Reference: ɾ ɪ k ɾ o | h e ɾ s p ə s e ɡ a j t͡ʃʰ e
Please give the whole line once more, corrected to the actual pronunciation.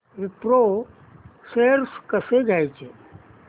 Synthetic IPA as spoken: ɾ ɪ p ɾ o | s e ɾ s k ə s e ɡ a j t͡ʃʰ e